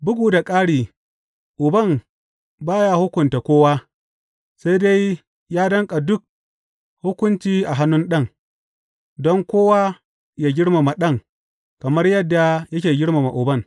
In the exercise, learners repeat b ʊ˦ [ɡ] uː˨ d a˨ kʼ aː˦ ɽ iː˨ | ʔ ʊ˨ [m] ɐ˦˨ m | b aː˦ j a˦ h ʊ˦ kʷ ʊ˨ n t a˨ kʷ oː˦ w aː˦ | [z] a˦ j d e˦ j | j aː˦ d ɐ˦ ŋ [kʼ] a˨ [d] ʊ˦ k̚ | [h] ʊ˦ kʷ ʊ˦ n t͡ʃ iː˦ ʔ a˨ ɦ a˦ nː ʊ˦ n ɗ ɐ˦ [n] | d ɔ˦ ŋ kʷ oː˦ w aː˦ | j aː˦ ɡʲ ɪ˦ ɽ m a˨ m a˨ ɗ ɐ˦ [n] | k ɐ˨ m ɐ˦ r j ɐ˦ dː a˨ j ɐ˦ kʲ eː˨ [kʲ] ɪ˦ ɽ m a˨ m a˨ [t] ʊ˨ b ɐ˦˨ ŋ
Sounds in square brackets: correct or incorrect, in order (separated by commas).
correct, incorrect, incorrect, correct, correct, correct, incorrect, incorrect, incorrect, incorrect